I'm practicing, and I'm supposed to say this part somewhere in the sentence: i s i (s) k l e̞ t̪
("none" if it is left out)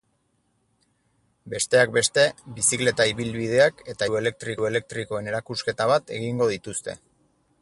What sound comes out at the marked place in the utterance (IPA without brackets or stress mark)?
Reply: none